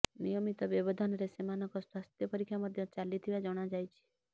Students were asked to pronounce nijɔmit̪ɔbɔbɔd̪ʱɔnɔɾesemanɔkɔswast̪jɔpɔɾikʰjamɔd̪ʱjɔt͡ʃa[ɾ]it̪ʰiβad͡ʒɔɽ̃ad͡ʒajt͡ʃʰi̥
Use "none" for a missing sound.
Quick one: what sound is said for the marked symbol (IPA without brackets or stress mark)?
l